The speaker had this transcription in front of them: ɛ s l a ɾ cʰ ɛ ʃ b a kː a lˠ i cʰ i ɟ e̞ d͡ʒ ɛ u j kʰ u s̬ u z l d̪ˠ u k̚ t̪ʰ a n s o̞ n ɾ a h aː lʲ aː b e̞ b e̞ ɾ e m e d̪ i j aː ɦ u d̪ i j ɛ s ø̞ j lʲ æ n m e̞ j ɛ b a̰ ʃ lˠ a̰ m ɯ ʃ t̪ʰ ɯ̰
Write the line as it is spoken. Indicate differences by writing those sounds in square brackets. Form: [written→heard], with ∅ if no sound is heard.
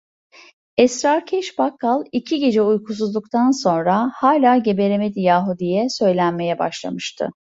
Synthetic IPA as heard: ɛ s [l→ɾ] a ɾ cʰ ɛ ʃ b a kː a lˠ i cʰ i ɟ e̞ d͡ʒ ɛ u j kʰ u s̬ u z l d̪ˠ u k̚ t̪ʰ a n s o̞ n ɾ a h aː lʲ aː [b→ɟ] e̞ b e̞ ɾ e m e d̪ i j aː ɦ u d̪ i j ɛ s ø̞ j lʲ æ n m e̞ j ɛ b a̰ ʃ lˠ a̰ m ɯ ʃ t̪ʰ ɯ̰